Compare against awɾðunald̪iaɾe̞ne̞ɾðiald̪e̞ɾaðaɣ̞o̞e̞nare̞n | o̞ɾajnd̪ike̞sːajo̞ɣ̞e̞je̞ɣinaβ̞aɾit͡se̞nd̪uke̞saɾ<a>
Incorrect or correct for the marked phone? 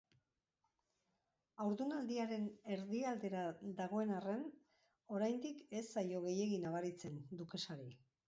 incorrect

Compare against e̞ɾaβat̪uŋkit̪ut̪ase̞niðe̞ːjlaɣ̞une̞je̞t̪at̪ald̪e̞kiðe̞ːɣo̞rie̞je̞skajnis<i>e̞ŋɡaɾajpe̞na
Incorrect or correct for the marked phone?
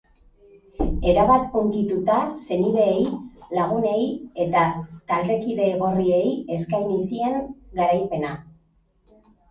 correct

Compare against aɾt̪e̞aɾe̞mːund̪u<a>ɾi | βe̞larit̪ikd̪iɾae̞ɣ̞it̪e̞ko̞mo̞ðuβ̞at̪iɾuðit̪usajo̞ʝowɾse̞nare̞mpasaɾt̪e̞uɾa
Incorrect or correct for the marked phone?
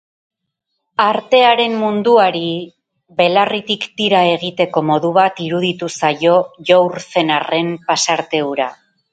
correct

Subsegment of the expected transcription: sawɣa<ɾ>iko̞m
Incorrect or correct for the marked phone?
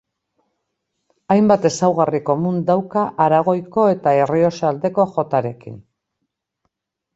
incorrect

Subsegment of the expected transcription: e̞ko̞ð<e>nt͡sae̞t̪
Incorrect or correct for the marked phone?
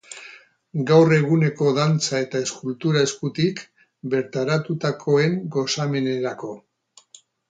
incorrect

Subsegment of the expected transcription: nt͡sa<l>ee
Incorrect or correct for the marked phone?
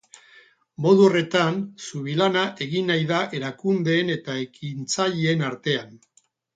incorrect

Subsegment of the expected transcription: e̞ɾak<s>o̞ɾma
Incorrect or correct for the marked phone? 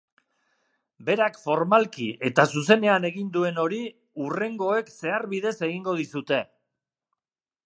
incorrect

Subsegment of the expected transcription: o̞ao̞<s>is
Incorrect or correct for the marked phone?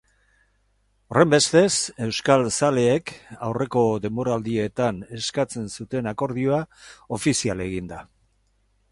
incorrect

